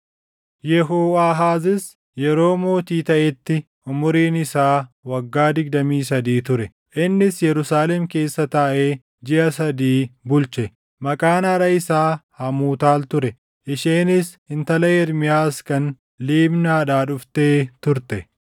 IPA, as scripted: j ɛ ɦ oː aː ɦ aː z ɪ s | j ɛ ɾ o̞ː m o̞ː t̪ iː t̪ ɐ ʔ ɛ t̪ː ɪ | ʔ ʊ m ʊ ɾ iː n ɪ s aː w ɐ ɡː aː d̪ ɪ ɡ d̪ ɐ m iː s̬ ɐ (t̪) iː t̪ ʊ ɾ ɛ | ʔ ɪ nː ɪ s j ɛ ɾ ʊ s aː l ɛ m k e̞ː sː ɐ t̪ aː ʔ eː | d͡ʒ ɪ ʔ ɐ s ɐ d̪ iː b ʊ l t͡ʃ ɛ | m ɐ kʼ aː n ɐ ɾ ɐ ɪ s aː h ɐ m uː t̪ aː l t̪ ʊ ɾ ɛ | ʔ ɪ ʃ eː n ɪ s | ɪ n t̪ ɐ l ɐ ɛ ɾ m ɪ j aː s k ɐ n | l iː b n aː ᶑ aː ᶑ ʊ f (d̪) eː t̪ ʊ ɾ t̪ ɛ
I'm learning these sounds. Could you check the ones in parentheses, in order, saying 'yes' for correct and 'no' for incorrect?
no, no

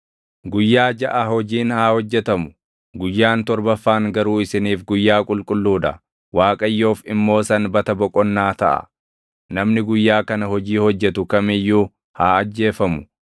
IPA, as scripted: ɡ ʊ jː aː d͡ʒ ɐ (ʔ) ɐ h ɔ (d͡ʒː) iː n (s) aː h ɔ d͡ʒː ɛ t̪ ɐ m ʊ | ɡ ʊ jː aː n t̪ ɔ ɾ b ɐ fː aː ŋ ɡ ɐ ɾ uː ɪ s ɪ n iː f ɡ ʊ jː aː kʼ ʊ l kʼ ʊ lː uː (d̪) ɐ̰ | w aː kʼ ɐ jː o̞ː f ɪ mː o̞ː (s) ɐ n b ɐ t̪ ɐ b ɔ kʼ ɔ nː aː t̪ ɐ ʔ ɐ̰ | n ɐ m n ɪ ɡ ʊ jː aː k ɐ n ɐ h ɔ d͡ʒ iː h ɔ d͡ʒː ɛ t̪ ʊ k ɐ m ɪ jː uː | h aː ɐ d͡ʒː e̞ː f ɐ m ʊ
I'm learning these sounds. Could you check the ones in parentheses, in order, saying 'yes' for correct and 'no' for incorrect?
yes, no, no, yes, yes

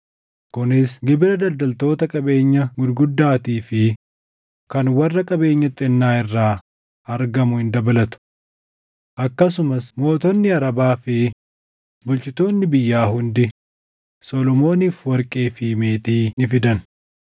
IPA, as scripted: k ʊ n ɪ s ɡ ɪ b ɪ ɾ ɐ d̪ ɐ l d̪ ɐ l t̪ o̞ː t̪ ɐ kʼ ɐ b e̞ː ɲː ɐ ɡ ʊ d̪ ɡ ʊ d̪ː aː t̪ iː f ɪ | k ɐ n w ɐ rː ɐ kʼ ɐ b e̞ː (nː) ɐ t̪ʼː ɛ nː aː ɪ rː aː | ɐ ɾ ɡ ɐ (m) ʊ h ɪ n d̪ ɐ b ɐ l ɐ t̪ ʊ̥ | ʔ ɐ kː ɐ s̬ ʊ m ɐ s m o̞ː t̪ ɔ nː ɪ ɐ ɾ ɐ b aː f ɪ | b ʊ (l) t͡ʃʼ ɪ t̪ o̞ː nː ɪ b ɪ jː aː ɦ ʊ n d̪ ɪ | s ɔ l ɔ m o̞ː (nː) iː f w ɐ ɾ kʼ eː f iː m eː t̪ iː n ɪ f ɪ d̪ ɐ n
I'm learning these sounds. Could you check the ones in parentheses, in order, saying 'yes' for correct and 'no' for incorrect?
no, yes, yes, no

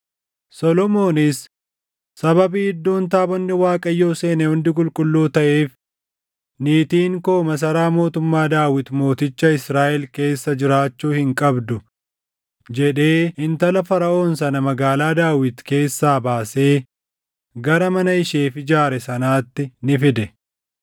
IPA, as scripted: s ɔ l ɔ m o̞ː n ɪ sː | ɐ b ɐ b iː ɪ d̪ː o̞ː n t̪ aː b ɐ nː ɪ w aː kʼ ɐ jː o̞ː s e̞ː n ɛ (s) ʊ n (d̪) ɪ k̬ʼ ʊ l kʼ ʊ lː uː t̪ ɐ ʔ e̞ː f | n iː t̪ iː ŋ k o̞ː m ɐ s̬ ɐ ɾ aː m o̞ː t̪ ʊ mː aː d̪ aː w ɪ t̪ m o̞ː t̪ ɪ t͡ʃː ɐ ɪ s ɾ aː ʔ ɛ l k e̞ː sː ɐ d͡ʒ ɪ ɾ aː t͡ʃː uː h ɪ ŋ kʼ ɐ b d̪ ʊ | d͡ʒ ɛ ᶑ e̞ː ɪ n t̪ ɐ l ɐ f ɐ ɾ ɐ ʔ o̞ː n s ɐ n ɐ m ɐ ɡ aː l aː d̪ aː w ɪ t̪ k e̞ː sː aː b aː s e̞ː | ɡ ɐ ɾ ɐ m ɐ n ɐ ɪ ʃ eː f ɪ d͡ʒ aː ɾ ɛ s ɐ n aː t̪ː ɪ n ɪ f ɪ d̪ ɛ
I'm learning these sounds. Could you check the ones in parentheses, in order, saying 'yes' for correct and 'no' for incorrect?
no, yes

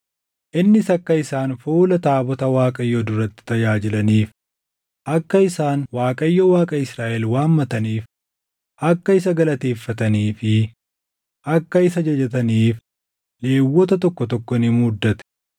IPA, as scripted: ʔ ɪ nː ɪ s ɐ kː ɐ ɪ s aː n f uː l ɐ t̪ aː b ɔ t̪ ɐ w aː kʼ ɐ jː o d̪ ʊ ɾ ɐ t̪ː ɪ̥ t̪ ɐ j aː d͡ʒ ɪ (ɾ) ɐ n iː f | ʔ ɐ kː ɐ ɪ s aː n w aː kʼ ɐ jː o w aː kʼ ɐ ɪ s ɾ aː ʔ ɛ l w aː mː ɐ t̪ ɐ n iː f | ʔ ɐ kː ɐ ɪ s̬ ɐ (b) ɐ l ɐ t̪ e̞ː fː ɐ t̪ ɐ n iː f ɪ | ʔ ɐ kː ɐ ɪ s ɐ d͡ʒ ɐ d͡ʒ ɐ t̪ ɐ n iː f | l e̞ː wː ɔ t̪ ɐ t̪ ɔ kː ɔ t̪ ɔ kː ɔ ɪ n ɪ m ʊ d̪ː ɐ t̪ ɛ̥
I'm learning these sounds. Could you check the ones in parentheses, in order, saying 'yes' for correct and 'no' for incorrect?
no, no

